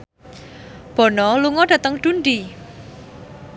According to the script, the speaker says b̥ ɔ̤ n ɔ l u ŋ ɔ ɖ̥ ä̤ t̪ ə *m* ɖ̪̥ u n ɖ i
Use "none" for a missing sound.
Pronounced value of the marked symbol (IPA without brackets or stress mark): ŋ